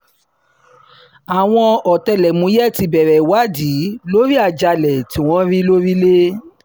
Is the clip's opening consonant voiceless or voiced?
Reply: voiced